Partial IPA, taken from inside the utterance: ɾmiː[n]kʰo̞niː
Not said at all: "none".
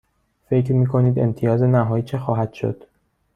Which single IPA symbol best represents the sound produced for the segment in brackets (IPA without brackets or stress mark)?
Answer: none